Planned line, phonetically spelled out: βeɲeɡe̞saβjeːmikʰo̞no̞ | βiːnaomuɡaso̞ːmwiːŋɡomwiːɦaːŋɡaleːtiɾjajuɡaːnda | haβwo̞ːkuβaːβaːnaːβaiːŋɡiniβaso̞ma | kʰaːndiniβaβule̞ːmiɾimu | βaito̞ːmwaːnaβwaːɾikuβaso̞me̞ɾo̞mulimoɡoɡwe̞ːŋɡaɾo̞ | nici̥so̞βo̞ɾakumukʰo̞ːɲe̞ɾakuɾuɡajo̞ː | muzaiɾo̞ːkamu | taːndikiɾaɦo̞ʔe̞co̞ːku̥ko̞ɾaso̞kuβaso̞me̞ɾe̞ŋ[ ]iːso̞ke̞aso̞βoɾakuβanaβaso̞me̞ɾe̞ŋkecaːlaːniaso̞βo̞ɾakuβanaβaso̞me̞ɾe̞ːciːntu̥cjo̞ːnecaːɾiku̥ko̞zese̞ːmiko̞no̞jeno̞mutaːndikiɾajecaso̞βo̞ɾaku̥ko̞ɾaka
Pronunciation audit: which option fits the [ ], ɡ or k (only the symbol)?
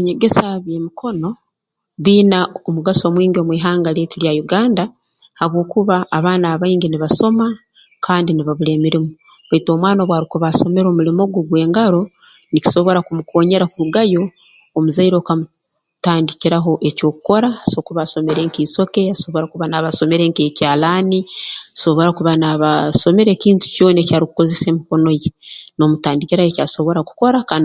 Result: k